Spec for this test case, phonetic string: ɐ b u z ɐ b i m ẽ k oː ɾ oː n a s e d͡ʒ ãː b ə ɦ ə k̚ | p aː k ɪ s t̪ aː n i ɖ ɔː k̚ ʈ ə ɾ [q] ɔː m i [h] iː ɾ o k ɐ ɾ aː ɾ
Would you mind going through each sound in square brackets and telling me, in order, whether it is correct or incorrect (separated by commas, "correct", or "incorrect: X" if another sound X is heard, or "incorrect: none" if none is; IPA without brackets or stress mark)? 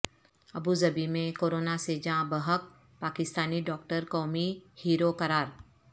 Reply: incorrect: k, correct